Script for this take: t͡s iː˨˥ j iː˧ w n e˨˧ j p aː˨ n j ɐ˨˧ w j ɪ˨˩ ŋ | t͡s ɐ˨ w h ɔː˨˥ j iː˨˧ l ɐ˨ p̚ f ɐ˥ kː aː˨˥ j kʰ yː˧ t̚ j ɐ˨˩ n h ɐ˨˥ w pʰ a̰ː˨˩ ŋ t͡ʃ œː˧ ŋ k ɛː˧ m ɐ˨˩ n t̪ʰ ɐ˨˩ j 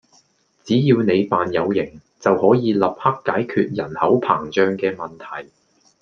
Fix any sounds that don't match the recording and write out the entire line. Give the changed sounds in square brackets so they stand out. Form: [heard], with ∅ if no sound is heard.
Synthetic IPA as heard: t͡s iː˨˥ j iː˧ w n e˨˧ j p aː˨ n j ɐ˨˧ w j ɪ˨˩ ŋ | t͡s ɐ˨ w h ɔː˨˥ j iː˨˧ l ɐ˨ p̚ [h] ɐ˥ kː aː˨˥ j kʰ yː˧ t̚ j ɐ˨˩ n h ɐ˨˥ w pʰ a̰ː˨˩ ŋ t͡ʃ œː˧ ŋ k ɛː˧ m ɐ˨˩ n t̪ʰ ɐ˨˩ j